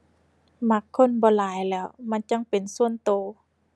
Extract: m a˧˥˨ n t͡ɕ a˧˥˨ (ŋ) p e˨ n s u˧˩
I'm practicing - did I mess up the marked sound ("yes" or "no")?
no